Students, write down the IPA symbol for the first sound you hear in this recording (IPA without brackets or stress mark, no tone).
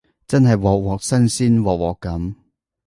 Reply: t͡s